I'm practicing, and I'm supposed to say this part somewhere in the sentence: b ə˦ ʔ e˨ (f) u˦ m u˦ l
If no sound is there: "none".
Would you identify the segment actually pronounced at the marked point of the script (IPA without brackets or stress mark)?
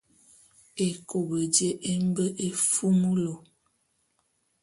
f